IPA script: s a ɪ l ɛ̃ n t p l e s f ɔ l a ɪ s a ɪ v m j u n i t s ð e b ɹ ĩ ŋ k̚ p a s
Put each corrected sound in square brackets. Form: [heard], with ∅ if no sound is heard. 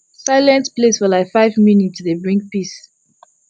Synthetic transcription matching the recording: s a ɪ l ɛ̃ n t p l e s f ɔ l a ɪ [f] a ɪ v m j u n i t s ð e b ɹ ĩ ŋ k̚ p [i] s